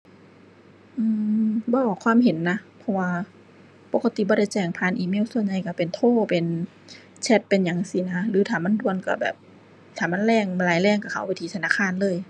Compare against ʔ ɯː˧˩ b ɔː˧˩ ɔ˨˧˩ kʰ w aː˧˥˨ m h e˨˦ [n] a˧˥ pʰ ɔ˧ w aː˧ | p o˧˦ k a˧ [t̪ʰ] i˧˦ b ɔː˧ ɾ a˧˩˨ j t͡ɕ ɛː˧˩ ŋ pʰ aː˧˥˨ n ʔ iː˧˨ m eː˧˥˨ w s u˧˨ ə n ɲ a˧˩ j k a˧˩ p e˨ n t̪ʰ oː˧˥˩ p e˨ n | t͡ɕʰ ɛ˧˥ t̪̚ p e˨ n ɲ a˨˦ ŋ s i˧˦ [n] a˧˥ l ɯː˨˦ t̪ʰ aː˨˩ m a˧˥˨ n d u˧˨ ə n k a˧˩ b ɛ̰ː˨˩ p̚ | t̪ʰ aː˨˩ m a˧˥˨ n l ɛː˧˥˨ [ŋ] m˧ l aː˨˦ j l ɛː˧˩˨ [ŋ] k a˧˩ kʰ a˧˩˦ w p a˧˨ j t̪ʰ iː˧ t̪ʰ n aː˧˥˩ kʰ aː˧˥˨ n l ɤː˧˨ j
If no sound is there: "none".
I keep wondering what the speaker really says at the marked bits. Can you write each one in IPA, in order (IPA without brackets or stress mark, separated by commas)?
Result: nː, t̪, n, ŋ, ŋ